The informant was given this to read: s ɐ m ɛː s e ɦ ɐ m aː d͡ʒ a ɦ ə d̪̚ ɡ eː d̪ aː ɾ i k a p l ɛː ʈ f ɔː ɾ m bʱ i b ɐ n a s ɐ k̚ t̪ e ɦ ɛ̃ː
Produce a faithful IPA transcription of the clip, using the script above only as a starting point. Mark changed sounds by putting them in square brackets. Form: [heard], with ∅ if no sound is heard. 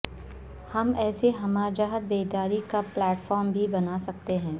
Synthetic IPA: [h] ɐ m ɛː s e ɦ ɐ m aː d͡ʒ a ɦ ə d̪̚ [b] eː d̪ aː ɾ i k a p l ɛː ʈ f ɔː ɾ m bʱ i b ɐ n a s ɐ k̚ t̪ e ɦ ɛ̃ː